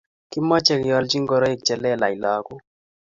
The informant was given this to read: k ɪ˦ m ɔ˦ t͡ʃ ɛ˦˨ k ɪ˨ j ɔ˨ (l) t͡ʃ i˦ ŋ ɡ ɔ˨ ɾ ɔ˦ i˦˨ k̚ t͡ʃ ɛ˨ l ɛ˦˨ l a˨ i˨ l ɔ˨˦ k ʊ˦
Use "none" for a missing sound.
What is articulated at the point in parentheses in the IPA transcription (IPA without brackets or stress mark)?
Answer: l